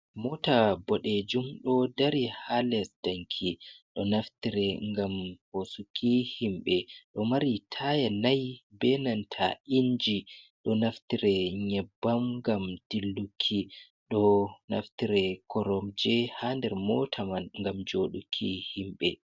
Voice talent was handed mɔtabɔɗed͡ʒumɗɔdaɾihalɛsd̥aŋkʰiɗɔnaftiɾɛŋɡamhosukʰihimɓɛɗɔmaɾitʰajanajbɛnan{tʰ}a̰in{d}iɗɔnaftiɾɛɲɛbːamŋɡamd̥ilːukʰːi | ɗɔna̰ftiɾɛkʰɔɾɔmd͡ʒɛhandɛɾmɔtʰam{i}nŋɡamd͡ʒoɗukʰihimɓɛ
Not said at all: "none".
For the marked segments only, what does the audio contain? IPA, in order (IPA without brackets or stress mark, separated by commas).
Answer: tʰ, d͡ʒ, a